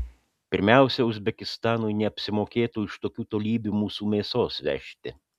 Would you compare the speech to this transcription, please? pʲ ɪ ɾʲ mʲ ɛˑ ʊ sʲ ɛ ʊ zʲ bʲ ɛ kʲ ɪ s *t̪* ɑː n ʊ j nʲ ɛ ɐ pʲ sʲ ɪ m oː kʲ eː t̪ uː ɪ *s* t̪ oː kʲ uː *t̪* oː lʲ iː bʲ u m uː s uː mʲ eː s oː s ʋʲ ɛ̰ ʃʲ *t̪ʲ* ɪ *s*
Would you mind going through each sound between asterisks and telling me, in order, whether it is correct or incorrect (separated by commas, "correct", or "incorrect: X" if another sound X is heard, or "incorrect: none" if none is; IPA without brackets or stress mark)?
correct, incorrect: ʃ, correct, correct, incorrect: none